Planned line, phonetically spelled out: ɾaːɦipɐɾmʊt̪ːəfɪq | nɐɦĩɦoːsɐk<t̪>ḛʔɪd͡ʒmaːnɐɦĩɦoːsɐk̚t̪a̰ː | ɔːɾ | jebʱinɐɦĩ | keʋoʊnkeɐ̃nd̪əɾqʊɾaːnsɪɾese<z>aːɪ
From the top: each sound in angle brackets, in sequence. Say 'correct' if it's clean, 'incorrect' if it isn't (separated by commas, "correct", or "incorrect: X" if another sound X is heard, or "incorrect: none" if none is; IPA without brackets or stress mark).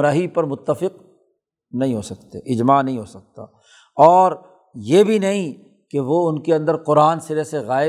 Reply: correct, incorrect: ɣ